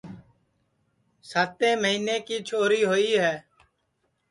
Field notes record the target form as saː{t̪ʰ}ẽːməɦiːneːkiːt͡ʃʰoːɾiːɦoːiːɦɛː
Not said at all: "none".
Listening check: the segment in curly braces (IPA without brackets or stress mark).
t̪